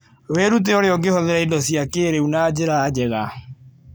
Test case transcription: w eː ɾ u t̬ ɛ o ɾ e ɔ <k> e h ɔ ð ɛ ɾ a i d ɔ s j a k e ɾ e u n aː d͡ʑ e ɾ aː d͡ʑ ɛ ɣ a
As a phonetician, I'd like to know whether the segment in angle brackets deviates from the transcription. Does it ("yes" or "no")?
yes